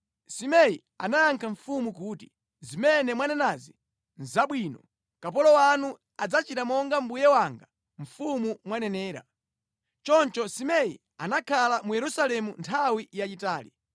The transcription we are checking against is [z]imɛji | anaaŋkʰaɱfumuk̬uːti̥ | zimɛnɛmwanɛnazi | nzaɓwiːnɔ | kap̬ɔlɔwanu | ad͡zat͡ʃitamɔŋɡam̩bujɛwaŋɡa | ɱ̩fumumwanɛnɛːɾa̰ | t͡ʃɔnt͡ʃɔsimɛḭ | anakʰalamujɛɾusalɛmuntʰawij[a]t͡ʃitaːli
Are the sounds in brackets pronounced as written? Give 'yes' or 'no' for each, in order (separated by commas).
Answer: no, yes